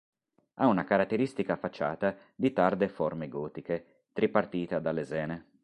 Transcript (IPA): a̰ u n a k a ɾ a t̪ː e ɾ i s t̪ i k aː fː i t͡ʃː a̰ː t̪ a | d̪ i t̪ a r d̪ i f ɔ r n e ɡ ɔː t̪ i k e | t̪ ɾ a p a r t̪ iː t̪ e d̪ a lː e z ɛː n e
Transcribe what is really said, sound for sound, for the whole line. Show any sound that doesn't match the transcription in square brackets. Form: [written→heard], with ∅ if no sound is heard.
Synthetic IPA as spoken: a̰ u n a k a ɾ a t̪ː e ɾ i s t̪ i k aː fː [i→a] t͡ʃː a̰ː t̪ a | d̪ i t̪ a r d̪ [i→e] f ɔ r [n→m] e ɡ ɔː t̪ i k e | t̪ ɾ [a→i] p a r t̪ iː t̪ [e→a] d̪ a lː e z ɛː n e